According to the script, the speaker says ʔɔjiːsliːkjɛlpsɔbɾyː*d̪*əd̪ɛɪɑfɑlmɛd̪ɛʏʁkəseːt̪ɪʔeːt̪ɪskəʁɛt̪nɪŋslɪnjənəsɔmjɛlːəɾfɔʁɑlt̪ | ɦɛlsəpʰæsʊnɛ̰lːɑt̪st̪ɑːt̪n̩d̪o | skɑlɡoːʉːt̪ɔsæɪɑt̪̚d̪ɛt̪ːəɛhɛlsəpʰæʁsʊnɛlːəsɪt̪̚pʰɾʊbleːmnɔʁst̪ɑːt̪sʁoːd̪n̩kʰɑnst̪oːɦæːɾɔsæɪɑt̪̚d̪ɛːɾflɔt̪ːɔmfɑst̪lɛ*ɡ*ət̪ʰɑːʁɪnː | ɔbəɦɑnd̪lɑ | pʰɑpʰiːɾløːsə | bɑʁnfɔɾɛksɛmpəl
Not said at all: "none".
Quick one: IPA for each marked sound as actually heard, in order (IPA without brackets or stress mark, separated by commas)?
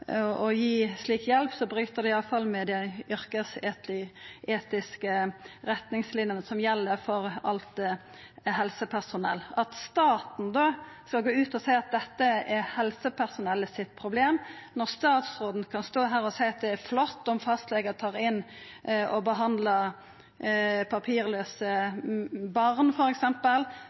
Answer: t̪, ɡ